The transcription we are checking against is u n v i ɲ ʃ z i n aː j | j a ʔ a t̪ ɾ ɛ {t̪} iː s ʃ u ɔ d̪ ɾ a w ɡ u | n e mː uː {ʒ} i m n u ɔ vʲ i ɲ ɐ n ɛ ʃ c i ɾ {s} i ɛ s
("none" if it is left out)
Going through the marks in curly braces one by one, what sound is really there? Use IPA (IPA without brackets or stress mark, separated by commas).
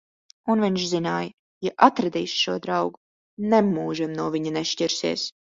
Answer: d̪, ʒ, s